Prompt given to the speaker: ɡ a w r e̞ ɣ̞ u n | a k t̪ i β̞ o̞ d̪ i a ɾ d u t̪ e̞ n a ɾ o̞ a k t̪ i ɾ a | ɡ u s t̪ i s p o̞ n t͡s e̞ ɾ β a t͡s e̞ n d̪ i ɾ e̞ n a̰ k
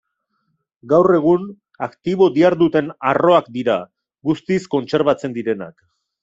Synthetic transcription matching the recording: ɡ a w r e̞ ɣ̞ u n | a k t̪ i β̞ o̞ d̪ i a ɾ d u t̪ e̞ n a r o̞ a k d̪ i ɾ a | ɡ u s t̪ i s k o̞ n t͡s e̞ ɾ β a t͡s e̞ n d̪ i ɾ e̞ n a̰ k